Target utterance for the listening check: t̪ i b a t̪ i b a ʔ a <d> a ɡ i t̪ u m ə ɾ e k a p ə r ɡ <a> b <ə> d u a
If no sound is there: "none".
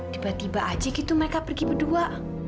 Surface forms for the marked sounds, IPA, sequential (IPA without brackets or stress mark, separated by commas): d͡ʒ, i, ə